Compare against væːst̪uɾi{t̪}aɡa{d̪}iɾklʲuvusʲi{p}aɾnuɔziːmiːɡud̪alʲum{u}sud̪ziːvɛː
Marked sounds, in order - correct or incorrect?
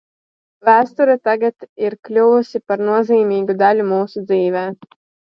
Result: correct, incorrect: t̪, correct, incorrect: uː

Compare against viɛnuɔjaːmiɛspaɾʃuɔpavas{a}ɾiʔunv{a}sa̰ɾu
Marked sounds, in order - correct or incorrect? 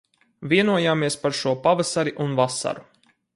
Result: correct, correct

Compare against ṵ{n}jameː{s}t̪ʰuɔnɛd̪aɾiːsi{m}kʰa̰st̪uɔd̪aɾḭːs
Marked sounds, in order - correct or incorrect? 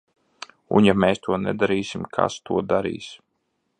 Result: correct, correct, correct

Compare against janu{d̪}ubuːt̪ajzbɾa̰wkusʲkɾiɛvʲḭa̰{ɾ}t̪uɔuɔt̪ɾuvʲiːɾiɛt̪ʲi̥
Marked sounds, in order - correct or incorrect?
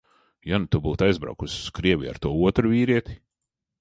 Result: incorrect: t̪, correct

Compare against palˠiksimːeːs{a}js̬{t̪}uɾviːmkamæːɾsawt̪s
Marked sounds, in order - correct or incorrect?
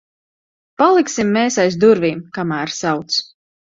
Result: correct, incorrect: d̪

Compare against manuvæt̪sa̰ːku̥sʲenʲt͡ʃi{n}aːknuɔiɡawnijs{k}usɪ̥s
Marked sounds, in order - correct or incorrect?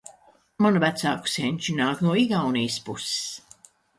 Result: correct, incorrect: p

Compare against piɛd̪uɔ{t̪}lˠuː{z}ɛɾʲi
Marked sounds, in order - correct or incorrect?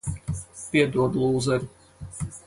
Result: incorrect: d̪, correct

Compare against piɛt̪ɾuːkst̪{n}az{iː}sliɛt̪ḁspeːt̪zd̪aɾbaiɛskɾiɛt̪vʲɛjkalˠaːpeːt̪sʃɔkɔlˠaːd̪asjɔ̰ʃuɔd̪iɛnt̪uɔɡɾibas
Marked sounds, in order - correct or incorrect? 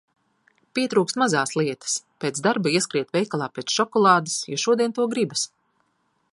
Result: incorrect: m, incorrect: aː

